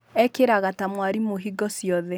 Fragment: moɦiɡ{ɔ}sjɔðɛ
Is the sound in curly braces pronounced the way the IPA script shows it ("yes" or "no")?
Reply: yes